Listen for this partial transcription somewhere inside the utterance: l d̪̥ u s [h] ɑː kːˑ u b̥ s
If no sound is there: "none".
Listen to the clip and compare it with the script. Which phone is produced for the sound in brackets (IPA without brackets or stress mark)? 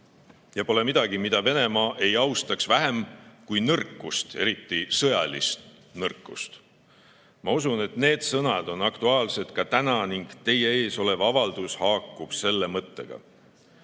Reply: h